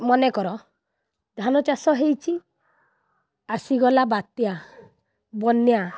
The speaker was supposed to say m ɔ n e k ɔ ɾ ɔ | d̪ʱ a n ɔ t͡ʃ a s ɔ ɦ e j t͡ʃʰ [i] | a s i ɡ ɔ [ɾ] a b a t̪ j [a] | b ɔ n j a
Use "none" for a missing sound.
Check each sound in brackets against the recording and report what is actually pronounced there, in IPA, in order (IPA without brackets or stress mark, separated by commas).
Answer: i, l, a